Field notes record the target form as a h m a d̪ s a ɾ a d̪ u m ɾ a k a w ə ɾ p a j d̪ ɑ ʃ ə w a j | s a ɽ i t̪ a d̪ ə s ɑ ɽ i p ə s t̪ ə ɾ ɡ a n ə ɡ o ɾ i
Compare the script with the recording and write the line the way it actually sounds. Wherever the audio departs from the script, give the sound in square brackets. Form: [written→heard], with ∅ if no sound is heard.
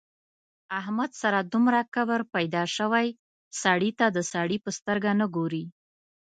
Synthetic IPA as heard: a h m a d̪ s a ɾ a d̪ u m ɾ a k a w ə ɾ p a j d̪ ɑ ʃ ə w a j | s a ɽ i t̪ a d̪ ə s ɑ ɽ i p ə s t̪ ə ɾ ɡ a n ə ɡ o ɾ i